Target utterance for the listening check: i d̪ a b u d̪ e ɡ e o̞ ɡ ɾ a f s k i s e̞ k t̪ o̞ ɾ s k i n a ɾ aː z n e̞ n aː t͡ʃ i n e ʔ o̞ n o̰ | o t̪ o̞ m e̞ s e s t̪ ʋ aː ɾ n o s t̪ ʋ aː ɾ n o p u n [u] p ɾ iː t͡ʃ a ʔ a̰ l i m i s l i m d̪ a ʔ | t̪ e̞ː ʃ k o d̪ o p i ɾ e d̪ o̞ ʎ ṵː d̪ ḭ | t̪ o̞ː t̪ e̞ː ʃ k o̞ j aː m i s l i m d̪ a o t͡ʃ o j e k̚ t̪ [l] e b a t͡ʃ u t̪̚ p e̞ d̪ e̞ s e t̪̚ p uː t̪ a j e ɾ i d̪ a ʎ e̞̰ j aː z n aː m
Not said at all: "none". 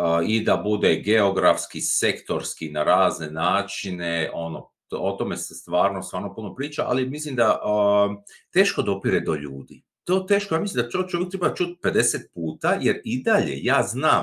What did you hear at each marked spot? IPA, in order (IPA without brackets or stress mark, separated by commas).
o, ɾ